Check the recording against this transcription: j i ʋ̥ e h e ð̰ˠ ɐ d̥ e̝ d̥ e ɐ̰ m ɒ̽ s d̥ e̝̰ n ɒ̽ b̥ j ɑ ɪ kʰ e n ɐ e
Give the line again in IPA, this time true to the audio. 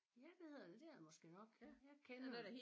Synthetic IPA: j æ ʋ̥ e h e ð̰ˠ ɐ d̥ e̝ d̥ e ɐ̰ m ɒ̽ s ɡ̥ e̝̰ n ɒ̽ ɡ̥ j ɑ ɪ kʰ e n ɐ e

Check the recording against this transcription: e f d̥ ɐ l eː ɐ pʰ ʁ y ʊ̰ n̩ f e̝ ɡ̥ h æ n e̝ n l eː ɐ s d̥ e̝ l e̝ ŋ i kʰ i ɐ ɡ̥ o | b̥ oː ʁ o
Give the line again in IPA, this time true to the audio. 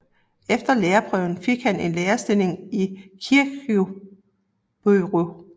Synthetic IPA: e f d̥ ɐ l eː ɐ pʰ ʁ œ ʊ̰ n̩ f e̝ ɡ̥ h æ n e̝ n l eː ɐ s d̥ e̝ l e̝ ŋ i kʰ i ɐ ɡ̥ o | b̥ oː ʁ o

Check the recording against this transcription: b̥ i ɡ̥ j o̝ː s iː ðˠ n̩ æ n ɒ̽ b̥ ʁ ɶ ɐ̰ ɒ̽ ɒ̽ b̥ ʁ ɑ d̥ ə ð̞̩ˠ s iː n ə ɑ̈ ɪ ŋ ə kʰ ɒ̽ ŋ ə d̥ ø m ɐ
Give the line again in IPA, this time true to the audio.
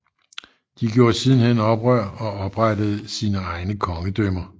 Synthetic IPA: d̥ i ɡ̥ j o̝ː s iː ðˠ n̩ e n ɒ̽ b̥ ʁ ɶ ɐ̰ ɒ̽ ɒ̽ b̥ ʁ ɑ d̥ ə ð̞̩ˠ s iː n ə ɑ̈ ɪ n ə kʰ ɒ̽ ŋ ə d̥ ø m ɐ

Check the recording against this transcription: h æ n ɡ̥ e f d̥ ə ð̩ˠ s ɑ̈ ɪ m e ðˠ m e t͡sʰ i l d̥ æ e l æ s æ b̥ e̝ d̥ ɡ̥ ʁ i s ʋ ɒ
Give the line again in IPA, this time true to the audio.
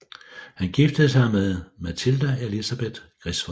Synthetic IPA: h æ n ɡ̥ i f d̥ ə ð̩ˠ s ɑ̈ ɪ m e ðˠ m æ t͡sʰ i l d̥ æ e l i s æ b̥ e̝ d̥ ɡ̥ ʁ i s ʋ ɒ

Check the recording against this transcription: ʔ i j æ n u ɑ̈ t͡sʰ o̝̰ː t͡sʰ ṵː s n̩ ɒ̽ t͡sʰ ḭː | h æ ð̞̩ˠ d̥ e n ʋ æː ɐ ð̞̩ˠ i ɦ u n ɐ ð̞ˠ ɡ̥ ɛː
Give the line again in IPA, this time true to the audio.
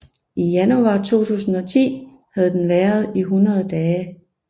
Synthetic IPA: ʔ i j æ n u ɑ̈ t͡sʰ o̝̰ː t͡sʰ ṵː s n̩ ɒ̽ t͡sʰ ḭː | h æ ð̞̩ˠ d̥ e n ʋ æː ɐ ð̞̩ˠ i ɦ u n ɐ ð̞ˠ d̥ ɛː

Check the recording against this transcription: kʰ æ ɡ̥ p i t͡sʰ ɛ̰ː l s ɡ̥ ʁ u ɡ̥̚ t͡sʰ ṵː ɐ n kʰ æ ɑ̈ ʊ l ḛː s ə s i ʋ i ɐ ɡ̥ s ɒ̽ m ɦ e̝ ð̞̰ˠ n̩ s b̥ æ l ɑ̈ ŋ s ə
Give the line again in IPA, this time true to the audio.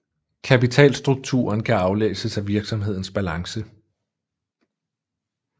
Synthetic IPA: kʰ æ p i t͡sʰ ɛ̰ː l s d̥ ʁ u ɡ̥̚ t͡sʰ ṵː ɐ n kʰ æ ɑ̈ ʊ l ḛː s ə s æ ʋ i ɐ ɡ̥ s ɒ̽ m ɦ e̝ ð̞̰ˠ n̩ s b̥ æ l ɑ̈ ŋ s ə

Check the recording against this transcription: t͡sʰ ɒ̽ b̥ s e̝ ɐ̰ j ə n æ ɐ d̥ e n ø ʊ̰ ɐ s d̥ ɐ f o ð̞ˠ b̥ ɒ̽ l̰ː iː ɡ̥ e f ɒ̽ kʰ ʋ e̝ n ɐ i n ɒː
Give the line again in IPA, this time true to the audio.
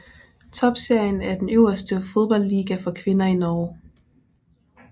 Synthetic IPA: t͡sʰ ɒ̽ b̥ s e̝ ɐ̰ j ə n æ ɐ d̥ e n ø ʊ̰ ɐ s d̥ ə f o ð̞ˠ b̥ ɒ̽ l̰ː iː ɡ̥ æ f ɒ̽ kʰ ʋ e̝ n ɐ i n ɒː

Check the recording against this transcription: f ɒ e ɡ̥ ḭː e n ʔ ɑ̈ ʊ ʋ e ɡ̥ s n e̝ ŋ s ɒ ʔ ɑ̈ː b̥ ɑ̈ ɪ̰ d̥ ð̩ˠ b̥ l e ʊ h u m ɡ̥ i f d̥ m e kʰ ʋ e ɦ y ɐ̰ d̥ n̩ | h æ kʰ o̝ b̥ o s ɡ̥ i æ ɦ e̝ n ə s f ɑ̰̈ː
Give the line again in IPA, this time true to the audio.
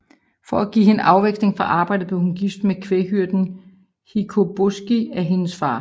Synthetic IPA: f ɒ æ ɡ̥ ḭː e n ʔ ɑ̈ ʊ ʋ e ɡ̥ s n e̝ ŋ f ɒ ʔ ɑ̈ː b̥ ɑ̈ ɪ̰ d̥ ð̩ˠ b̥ l e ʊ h u n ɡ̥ i f d̥ m e kʰ ʋ e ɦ y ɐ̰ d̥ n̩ | h i kʰ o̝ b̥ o s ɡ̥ i æ ɦ e̝ n ə s f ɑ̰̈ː

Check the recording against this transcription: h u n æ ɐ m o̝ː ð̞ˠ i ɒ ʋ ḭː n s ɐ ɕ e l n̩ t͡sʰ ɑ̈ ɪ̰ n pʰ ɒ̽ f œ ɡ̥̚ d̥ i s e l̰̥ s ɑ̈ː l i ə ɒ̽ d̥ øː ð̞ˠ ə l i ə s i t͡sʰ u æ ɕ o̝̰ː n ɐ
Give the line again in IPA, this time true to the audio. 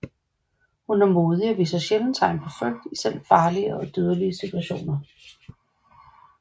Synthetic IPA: h u n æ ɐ m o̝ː ð̞ˠ i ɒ ʋ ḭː s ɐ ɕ e l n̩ t͡sʰ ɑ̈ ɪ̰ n pʰ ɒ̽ f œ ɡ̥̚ d̥ i s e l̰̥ f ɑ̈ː l i ə ɒ̽ d̥ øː ð̞ˠ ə l i ə s i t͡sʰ u æ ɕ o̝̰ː n ɐ

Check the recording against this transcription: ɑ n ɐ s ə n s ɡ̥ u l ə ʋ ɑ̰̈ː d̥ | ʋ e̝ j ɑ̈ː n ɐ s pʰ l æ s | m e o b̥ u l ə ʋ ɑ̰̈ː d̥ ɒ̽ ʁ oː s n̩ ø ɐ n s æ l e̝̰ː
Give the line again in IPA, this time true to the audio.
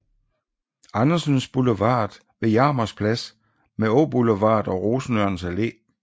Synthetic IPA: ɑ n ɐ s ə n s b̥ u l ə ʋ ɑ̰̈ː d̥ | ʋ e̝ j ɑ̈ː m ɐ s pʰ l æ s | m e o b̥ u l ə ʋ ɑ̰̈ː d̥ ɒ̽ ʁ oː s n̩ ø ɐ n s æ l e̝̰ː

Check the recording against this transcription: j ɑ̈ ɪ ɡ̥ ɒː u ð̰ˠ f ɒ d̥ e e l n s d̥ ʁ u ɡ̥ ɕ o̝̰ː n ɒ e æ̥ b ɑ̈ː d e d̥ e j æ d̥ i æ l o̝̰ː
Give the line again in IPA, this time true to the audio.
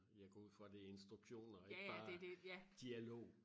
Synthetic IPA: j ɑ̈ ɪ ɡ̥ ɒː u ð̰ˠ f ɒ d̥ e e n s d̥ ʁ u ɡ̥ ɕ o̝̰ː n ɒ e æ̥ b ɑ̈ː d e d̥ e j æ d̥ i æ l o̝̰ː

